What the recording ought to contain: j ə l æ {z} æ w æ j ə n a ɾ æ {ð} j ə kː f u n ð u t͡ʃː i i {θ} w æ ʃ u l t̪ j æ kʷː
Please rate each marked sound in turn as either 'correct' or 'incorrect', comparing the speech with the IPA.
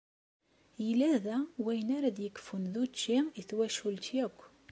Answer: incorrect, correct, correct

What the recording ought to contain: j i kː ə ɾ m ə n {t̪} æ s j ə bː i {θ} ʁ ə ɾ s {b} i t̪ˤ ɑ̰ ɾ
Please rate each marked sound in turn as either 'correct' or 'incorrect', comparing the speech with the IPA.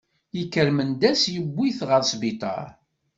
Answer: incorrect, correct, correct

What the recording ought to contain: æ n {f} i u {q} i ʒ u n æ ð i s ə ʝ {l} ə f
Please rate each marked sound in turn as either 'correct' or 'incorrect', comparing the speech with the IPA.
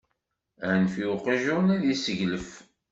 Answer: correct, correct, correct

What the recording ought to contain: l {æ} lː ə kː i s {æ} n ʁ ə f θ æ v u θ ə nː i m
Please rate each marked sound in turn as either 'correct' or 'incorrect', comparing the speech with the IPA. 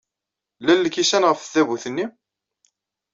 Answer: correct, correct

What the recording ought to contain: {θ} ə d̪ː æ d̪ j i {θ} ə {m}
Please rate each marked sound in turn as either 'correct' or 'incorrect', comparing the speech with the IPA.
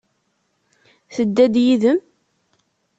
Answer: correct, incorrect, correct

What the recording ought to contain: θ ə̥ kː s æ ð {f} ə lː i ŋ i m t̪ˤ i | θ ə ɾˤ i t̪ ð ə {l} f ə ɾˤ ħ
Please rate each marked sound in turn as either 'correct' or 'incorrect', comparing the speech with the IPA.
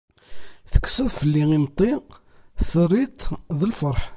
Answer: correct, correct

